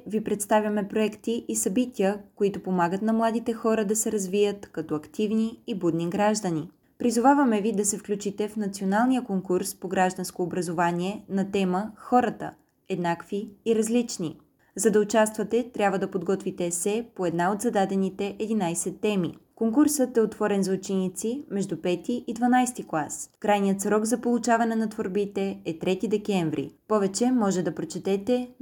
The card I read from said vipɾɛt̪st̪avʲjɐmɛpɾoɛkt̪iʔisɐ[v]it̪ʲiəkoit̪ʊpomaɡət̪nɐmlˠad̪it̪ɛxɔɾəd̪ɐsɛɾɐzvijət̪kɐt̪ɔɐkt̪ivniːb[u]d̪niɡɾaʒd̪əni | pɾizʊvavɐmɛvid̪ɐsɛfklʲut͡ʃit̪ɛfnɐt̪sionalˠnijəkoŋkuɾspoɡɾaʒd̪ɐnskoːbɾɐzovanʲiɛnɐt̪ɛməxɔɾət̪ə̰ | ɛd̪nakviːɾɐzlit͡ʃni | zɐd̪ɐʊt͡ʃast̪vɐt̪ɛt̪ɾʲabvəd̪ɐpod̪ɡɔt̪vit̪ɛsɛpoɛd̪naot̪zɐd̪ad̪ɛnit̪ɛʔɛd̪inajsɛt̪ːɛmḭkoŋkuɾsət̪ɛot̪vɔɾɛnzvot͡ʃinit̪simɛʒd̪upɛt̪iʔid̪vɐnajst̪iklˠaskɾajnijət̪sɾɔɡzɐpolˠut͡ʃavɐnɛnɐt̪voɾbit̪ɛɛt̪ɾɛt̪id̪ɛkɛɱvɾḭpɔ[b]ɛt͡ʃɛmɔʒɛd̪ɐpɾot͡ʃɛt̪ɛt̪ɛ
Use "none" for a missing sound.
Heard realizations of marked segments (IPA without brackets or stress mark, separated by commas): b, u, v